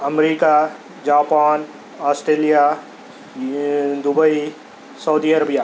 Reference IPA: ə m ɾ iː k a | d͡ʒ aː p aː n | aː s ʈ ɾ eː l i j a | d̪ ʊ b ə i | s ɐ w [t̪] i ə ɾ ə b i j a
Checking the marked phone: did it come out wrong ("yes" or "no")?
yes